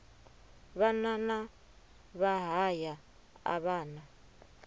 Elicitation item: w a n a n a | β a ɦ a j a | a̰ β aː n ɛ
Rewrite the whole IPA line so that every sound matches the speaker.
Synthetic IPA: β a n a n a | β a ɦ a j a | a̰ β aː n a